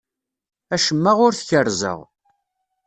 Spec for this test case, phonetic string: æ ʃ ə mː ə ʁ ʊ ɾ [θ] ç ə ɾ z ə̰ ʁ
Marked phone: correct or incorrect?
correct